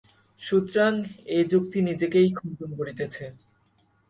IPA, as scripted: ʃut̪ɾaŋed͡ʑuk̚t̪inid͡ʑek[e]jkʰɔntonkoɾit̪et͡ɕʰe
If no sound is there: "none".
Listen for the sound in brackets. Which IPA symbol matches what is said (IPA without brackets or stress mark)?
e